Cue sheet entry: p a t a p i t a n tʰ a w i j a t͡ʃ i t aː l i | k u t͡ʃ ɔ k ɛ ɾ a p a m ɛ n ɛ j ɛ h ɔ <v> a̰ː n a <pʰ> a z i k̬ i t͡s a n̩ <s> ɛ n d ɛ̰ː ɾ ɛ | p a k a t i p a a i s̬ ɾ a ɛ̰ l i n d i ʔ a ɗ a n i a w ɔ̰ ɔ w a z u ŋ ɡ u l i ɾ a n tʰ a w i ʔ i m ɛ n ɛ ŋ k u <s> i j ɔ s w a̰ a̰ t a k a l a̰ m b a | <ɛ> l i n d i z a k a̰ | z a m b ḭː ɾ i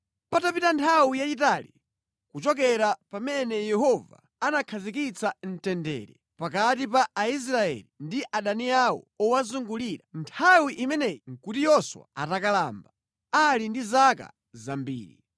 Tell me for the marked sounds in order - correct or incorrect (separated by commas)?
correct, incorrect, incorrect, incorrect, incorrect